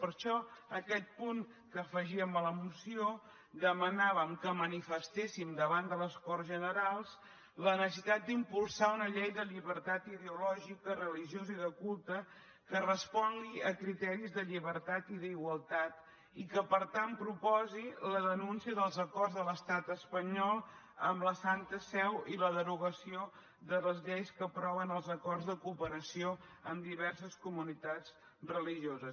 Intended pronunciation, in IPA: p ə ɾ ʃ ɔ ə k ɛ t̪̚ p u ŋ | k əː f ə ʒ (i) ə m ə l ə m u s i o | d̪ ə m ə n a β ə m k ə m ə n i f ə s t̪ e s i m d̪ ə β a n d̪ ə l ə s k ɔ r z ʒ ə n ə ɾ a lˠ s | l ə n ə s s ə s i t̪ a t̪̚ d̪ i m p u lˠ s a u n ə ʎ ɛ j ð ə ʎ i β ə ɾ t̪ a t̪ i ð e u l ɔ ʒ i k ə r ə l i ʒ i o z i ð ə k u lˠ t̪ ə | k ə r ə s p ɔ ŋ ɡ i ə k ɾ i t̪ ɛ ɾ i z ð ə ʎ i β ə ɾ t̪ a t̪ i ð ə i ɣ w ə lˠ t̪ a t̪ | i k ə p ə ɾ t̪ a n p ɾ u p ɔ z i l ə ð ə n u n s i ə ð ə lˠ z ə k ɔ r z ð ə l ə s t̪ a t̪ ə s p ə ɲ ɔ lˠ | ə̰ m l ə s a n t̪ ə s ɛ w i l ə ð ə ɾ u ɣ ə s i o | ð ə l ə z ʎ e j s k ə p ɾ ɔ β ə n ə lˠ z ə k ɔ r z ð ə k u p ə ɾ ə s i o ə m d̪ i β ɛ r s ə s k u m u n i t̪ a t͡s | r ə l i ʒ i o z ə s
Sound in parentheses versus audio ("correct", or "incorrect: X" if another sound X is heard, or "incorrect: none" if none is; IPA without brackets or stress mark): correct